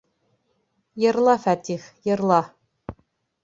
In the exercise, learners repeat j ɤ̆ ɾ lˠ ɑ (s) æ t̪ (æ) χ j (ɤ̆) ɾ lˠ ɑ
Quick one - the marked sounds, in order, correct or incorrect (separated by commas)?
incorrect, incorrect, correct